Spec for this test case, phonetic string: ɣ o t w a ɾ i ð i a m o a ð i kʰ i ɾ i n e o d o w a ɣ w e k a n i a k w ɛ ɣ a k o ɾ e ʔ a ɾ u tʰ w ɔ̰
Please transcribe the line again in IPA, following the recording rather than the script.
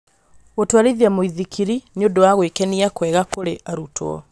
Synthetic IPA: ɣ o t w a ɾ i ð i a m o i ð i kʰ i ɾ i n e o d o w a ɣ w e k ɛ n i a k w ɛ ɣ a k o ɾ e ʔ a ɾ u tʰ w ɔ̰